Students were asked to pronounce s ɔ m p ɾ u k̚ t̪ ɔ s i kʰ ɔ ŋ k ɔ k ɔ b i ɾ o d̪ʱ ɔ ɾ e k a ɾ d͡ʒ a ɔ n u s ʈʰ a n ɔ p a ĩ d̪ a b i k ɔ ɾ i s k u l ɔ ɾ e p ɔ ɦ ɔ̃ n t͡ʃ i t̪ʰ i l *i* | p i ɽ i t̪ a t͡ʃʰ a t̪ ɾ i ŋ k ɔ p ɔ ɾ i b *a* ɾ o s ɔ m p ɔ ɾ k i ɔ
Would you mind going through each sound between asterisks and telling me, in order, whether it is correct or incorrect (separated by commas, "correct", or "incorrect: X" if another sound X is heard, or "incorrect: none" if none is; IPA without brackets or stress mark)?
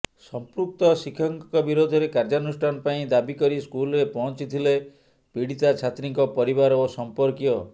incorrect: e, correct